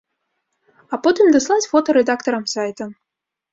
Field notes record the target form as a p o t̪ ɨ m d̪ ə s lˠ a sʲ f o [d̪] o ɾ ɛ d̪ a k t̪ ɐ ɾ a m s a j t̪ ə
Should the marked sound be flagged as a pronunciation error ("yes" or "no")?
yes